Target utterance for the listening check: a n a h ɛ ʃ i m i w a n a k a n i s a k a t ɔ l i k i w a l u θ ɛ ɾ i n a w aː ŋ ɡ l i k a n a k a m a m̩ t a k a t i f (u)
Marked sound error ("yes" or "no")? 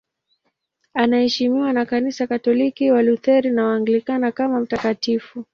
no